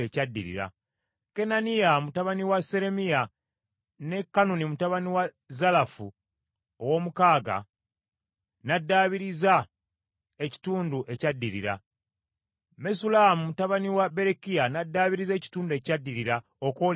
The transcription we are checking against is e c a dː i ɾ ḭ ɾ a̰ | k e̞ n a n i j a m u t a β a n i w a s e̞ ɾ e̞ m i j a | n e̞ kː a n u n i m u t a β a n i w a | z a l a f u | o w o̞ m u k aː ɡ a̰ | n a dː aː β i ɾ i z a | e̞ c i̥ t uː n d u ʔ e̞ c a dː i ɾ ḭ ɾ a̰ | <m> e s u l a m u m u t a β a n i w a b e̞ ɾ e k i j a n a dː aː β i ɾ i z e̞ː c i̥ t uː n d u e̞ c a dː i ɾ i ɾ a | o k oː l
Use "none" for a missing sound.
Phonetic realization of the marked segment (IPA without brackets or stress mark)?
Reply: m